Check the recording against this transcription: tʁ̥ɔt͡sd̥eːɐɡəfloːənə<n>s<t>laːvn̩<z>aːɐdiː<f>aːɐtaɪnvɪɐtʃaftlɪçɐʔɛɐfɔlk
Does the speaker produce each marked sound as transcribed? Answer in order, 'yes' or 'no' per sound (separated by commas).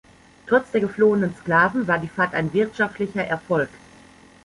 yes, no, no, yes